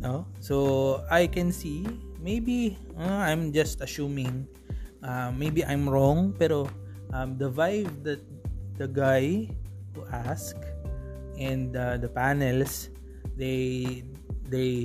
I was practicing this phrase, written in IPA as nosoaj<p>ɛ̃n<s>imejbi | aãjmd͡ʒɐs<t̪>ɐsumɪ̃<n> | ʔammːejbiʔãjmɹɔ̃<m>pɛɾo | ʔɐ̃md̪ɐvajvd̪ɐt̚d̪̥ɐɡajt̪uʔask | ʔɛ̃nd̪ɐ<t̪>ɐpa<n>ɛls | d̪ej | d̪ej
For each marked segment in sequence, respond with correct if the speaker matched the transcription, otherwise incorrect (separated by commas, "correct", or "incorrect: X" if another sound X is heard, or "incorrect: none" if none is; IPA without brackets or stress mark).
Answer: incorrect: k, correct, correct, incorrect: ŋ, incorrect: ŋ, incorrect: d̪, correct